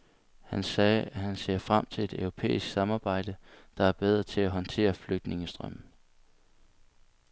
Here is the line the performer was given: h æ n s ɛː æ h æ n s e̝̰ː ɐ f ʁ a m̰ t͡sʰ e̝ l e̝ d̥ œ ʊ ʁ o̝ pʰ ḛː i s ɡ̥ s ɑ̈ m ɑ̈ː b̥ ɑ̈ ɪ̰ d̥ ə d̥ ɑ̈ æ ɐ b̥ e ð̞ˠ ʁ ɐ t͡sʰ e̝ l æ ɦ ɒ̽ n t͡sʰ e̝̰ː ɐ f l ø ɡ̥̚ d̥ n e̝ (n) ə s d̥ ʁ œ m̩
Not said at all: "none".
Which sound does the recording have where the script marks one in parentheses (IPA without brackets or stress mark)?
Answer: ŋ